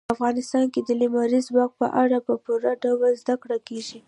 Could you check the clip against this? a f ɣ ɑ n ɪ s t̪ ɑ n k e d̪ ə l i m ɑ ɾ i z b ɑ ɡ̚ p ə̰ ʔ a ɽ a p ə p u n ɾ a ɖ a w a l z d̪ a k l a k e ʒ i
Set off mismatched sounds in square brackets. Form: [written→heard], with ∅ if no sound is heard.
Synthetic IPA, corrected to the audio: a f ɣ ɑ n ɪ s t̪ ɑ n k e d̪ ə l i m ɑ ɾ i z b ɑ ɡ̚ p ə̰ ʔ a ɽ a p ə p u [n→∅] ɾ a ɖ a w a l z d̪ a k [l→ɽ] a k e ʒ i